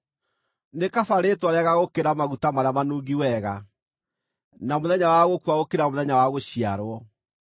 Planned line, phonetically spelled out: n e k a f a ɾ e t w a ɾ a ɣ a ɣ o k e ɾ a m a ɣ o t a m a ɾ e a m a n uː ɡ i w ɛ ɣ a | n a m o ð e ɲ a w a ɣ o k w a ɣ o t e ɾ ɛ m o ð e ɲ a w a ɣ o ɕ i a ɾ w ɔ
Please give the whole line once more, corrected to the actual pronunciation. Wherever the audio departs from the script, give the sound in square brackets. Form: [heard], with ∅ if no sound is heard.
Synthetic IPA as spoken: n e k a f a ɾ e t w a ɾ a ɣ a ɣ o k e ɾ a m a ɣ [u] t a m a ɾ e a m a n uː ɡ i w ɛ ɣ a | n a m o ð [ɛ] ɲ a w a ɣ o k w a ɣ o [k] e ɾ [a] m o ð [ɛ] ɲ a w a ɣ o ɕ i a ɾ w ɔ

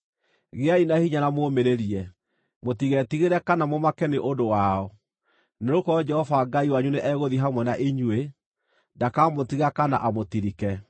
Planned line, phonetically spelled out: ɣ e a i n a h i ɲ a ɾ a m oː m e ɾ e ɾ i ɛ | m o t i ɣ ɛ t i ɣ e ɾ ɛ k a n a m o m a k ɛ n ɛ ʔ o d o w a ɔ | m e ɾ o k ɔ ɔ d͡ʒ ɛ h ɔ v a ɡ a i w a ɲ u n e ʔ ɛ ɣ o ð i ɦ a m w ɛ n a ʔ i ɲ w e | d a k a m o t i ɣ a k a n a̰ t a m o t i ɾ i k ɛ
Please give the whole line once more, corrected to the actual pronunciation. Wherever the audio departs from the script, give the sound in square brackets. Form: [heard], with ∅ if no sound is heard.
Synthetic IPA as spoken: ɣ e a i n a h i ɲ a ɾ a m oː m e ɾ e ɾ i ɛ | m o t i ɣ ɛ t i ɣ e ɾ ɛ k a n a m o m a k ɛ n [e] ʔ o d o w a ɔ | [n] e ɾ o k ɔ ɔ d͡ʒ ɛ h ɔ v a ɡ a i w a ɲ u n e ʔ ɛ ɣ o ð i ɦ a m w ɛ n a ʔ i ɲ w e | d a k a m o t i ɣ a k a n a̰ [ʔ] a m o t i ɾ i k ɛ

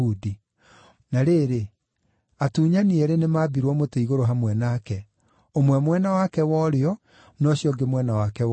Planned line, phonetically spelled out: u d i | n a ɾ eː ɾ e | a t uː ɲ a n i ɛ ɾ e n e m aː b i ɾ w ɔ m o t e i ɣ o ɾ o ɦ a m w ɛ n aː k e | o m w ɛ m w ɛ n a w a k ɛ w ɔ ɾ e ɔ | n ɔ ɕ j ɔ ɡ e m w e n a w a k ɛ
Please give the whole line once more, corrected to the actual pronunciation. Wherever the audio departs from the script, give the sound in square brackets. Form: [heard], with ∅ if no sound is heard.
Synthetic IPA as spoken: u d i | n a ɾ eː ɾ e | a t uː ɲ a n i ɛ ɾ e n e m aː b i ɾ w ɔ m o t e i ɣ o ɾ o ɦ a m w ɛ n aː k [ɛ] | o m w ɛ m w ɛ n a w a k ɛ w ɔ ɾ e ɔ | n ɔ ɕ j ɔ ɡ e m w [ɛ] n a w a k ɛ

